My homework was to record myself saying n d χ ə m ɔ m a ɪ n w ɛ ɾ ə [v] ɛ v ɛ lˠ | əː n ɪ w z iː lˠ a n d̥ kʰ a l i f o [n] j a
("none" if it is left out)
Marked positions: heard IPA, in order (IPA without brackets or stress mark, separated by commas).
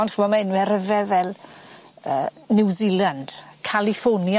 v, n